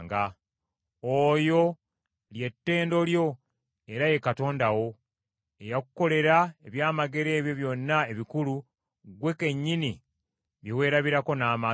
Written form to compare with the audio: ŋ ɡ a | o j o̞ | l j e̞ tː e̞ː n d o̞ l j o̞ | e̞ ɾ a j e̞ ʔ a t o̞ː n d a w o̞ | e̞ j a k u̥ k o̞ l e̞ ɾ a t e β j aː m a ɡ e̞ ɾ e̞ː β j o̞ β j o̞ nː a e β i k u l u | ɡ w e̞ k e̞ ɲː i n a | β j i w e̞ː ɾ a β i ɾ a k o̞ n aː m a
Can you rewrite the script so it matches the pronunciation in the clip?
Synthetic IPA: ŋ ɡ a | o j o̞ | l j e̞ tː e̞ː n d o̞ l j o̞ | e̞ ɾ a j e̞ k a t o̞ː n d a w o̞ | e̞ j a k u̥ k o̞ l e̞ ɾ a e β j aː m a ɡ e̞ ɾ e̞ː β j o̞ β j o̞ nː a e β i k u l u | ɡ w e̞ k e̞ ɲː i n i | β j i w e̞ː ɾ a β i ɾ a k o̞ n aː m a

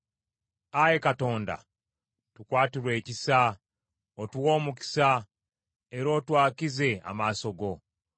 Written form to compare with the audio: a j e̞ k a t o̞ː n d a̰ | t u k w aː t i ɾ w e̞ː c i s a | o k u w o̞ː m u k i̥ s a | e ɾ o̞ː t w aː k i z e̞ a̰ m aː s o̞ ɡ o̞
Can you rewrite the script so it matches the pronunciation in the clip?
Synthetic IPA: a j e̞ k a t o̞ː n d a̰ | t u k w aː t i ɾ w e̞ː c i s a | o t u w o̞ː m u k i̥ s a | e ɾ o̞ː t w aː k i z e̞ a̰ m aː s o̞ ɡ o̞

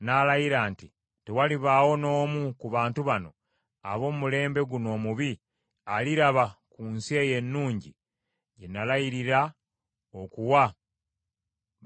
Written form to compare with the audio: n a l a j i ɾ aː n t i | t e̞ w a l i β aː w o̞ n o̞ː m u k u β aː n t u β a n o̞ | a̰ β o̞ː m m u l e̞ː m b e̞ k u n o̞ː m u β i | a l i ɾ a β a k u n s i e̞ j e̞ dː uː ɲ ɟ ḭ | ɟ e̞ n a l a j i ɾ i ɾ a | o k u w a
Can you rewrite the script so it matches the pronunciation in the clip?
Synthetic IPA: n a l a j i ɾ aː n t i | t e̞ w a l i β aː w o̞ n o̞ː m u k u β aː n t u β a n o̞ | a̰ β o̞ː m m u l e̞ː m b e̞ ɡ u n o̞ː m u β i | a l i ɾ a β a k u n s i e̞ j e̞ nː uː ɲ ɟ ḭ | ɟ e̞ n a l a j i ɾ i ɾ a | o k u w a

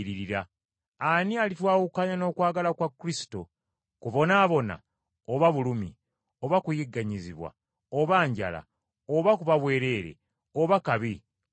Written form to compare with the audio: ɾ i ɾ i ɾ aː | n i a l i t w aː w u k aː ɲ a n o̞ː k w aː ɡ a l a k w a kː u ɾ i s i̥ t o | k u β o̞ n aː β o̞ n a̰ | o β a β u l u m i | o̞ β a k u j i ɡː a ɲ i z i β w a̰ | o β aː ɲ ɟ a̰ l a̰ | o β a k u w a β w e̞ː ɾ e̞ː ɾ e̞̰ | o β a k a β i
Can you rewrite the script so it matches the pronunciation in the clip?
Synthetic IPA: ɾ i ɾ i ɾ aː | n i a l i t w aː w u k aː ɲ a n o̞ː k w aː ɡ a l a k w a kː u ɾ i s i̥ t o | k u β o̞ n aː β o̞ n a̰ | o β a β u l u m i | o̞ β a k u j i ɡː a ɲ i z i β w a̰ | o β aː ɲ ɟ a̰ l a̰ | o β a k u β a β w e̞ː ɾ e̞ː ɾ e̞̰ | o β a k a β i

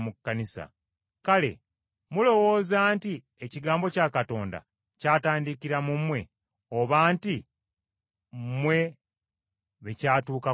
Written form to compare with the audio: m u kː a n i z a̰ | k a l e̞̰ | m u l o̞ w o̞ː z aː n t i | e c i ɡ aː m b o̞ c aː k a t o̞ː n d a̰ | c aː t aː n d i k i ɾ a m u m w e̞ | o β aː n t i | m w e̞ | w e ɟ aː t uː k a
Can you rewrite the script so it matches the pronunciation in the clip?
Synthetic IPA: m u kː a n i s a̰ | k a l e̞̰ | m u l o̞ w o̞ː z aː n t i | e c i ɡ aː m b o̞ c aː k a t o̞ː n d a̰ | c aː t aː n d i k i ɾ a m u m w e̞ | o β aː n t i | m w e̞ | β e c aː t uː k a

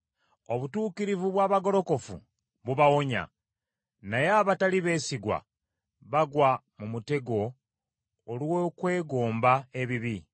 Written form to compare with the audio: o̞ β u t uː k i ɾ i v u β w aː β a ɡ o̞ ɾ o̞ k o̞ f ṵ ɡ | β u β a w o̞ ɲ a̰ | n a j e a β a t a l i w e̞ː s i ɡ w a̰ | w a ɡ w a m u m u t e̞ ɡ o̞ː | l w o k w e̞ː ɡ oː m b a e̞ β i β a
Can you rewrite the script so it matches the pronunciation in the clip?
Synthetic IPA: o̞ β u t uː k i ɾ i v u β w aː β a ɡ o̞ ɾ o̞ k o̞ f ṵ | β u β a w o̞ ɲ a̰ | n a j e a β a t a l i β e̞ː s i ɡ w a̰ | β a ɡ w a m u m u t e̞ ɡ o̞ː | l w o k w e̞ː ɡ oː m b a e̞ β i β i

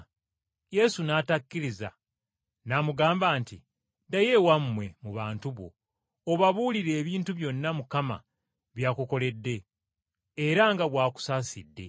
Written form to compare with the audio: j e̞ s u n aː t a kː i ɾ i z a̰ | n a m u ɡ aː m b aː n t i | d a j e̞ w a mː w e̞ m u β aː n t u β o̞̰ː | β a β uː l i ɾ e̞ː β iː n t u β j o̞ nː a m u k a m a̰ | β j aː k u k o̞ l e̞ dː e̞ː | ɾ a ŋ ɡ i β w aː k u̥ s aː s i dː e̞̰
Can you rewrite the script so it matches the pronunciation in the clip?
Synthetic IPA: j e̞ s u n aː t a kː i ɾ i z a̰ | n a m u ɡ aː m b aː n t i | d a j e̞ w a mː w e̞ m u β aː n t u β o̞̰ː | β a β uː l i ɾ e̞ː β iː n t u β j o̞ nː a m u k a m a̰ | β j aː k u k o̞ l e̞ dː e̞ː | ɾ a ŋ ɡ a β w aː k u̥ s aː s i dː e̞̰

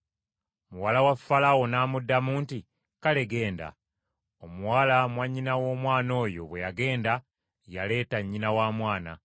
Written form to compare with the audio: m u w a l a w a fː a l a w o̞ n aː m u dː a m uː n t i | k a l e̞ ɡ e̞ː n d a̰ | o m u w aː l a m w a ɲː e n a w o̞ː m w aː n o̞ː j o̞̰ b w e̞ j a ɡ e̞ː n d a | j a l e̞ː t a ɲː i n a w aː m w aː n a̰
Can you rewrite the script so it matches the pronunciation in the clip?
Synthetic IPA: m u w a l a w a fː a l a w o̞ n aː m u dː a m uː n t i | k a l e̞ ɡ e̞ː n d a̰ | o m u w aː l a m w a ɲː i n a w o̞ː m w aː n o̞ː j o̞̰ β w e̞ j a ɡ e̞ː n d a | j a l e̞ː t a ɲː i n a w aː m w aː n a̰

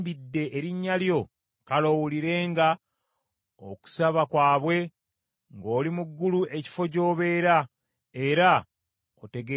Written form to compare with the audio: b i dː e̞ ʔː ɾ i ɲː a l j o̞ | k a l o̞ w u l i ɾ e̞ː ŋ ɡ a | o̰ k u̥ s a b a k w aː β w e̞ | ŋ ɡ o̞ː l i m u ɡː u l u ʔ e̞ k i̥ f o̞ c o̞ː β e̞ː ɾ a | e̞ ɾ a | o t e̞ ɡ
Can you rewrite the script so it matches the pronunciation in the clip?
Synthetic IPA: b i dː e̞ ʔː ɾ i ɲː a l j o̞ | k a l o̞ w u l i ɾ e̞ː ŋ ɡ a | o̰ k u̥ s a β a k w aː β w e̞ | ŋ ɡ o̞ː l i m u ɡː u l u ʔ e̞ c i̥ f o̞ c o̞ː β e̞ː ɾ a | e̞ ɾ a | o t e̞ ɡ

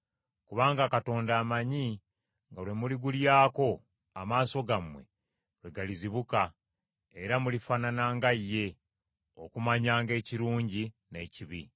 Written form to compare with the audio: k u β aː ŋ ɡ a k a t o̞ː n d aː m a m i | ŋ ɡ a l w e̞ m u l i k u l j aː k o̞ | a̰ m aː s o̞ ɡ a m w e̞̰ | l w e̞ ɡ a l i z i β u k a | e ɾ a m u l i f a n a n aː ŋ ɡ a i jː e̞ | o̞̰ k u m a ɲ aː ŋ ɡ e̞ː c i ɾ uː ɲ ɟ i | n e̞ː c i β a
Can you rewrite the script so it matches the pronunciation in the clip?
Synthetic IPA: k u β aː ŋ ɡ a k a t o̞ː n d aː m a ɲ i | ŋ ɡ a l w e̞ m u l i ɡ u l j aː k o̞ | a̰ m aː s o̞ ɡ a m w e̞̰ | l w e̞ ɡ a l i z i β u k a | e ɾ a m u l i f a n a n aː ŋ ɡ a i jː e̞ | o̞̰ k u m a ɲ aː ŋ ɡ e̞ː c i ɾ uː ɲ ɟ i | n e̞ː c i β i

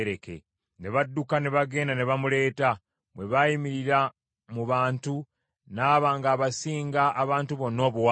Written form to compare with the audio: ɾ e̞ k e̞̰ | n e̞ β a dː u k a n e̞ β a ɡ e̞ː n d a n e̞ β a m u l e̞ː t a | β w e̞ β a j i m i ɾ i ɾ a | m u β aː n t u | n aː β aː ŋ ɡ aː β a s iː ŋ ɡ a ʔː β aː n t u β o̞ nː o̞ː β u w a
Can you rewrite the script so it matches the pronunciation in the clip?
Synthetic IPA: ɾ e̞ k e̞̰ | n e̞ β a dː u k a n e̞ β a ɡ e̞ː n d a n e̞ β a m u l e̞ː t a | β w e̞ β a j i m i ɾ i ɾ a | m u β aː n t u | n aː β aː ŋ ɡ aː β a s iː ŋ ɡ a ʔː β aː n t u β o̞ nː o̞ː β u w a

